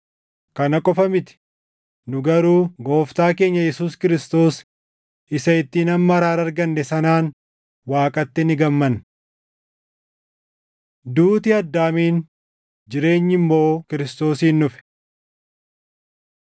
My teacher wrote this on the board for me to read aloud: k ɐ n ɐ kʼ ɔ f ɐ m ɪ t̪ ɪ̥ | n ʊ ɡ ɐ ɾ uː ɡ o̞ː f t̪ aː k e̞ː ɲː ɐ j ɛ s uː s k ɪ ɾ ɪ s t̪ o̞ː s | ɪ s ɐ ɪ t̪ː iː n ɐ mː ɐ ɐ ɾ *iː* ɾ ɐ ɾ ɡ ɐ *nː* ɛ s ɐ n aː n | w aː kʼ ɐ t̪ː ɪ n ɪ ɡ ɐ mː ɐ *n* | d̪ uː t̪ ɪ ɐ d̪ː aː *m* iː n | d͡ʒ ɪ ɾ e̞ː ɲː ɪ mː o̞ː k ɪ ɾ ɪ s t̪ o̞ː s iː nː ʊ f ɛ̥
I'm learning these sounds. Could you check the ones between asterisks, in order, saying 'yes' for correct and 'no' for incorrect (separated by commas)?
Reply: no, yes, yes, yes